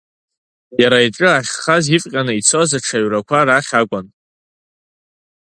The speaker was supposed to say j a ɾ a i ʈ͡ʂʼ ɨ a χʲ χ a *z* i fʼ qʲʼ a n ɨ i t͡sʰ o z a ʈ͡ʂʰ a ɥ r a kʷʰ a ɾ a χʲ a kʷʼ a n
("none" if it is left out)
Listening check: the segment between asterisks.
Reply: z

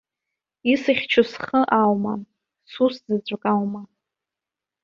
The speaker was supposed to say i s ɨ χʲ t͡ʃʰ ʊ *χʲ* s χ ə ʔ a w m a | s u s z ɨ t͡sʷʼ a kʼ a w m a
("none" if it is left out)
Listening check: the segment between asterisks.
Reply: none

